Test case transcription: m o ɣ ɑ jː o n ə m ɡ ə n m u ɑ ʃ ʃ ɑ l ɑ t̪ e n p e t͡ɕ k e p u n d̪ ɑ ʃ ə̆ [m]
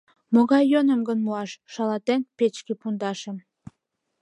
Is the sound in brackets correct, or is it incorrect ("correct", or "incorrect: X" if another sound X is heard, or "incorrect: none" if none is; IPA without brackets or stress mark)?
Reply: correct